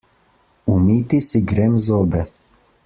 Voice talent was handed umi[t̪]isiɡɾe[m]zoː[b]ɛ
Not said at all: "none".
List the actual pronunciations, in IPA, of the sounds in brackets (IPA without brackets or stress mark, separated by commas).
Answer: t̪, m, b